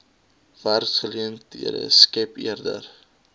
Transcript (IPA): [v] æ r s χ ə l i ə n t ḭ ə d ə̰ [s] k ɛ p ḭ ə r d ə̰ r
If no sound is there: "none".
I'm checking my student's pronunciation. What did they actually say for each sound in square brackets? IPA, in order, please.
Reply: v, s

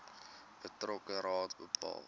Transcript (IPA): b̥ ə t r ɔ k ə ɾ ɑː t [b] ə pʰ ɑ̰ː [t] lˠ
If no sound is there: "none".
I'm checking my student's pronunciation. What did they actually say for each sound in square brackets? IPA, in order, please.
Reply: b, none

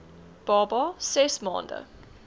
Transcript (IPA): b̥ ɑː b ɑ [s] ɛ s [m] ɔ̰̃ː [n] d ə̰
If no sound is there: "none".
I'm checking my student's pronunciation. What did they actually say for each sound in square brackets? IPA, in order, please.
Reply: s, m, n

